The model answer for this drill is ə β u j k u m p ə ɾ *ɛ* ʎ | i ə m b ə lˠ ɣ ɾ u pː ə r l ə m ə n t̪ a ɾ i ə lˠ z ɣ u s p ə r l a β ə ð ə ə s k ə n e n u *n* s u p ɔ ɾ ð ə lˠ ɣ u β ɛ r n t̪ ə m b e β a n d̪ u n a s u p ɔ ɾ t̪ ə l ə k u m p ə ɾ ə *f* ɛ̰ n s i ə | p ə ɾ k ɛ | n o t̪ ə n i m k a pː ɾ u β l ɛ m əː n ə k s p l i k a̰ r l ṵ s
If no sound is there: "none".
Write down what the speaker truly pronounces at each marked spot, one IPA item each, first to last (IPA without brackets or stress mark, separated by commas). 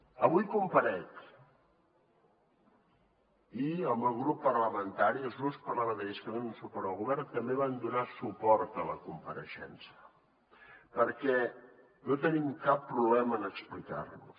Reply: ɛ, n, ʃ